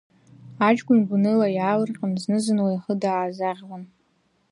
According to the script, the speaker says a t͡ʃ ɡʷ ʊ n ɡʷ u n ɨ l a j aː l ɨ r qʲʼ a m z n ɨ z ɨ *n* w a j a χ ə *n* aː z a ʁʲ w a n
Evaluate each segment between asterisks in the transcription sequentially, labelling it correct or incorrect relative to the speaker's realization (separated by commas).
correct, incorrect